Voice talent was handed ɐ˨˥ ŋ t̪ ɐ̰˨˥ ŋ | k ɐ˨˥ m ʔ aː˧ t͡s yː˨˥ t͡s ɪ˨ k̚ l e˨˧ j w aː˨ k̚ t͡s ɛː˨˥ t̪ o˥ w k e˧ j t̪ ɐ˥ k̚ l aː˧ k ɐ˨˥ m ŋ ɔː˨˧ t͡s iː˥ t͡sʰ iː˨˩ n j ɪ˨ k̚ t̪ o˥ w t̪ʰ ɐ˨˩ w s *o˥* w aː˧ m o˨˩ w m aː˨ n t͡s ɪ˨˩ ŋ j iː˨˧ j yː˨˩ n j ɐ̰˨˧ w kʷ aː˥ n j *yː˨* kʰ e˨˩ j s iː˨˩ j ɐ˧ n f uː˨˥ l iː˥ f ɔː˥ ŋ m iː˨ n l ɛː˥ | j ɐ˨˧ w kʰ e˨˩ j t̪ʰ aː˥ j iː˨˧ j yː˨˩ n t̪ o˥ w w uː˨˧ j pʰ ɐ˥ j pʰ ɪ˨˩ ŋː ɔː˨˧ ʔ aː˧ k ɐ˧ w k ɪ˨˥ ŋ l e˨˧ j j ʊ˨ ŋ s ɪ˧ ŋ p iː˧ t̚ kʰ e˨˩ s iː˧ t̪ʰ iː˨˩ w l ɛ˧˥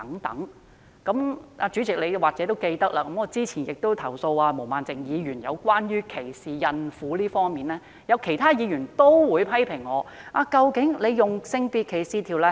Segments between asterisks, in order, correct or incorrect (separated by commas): incorrect, incorrect